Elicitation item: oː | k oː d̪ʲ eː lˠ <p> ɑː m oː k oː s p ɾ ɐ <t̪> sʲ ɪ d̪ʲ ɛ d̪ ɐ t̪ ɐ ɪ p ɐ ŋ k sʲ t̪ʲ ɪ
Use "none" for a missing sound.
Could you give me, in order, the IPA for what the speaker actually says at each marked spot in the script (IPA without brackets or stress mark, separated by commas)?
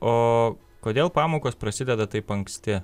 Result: p, none